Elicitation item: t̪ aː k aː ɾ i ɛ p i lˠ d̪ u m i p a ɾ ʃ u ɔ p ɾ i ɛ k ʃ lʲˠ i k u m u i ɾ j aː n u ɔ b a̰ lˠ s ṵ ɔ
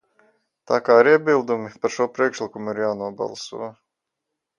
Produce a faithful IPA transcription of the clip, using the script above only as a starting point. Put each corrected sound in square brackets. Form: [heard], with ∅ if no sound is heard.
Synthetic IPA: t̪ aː k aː ɾ i ɛ [b] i lˠ d̪ u m i p a ɾ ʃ u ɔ p ɾ i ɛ k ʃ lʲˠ i k u m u i ɾ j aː n u ɔ b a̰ lˠ s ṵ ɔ